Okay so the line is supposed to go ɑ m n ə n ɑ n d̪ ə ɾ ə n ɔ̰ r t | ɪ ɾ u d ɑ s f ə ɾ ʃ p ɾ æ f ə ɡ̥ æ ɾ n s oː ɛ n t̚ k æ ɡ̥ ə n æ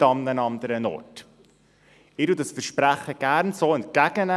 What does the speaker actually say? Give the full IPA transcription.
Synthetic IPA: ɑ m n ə n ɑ n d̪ ə ɾ ə n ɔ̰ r t | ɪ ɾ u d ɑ s f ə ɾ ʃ p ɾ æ χ ə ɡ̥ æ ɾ n s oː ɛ n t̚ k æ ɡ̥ ə n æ